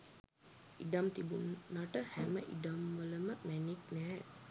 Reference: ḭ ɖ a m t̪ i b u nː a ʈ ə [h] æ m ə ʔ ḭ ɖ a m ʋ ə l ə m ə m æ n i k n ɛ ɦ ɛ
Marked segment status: correct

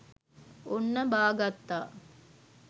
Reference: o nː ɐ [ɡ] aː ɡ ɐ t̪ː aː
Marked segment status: incorrect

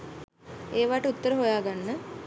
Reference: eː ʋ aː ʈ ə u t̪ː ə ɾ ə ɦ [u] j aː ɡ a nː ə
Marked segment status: incorrect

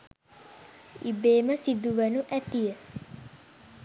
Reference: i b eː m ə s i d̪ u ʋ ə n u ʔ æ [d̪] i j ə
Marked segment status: incorrect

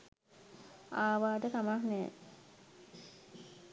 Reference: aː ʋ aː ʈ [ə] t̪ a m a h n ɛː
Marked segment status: correct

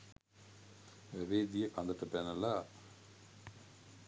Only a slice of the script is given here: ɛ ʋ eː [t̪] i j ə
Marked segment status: incorrect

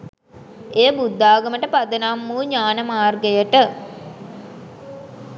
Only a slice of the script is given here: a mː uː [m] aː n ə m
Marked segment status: incorrect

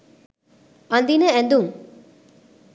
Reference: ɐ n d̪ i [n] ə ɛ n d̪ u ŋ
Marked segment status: correct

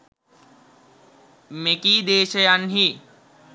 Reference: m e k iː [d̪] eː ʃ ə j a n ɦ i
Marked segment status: correct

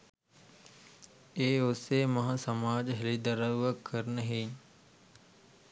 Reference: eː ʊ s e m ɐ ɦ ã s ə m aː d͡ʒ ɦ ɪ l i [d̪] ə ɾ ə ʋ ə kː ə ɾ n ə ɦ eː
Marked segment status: correct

